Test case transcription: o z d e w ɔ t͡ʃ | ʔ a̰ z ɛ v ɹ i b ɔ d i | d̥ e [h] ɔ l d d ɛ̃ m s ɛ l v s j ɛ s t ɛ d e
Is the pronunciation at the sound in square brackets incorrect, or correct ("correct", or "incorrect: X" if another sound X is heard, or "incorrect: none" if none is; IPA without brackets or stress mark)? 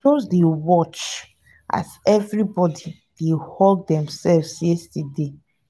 correct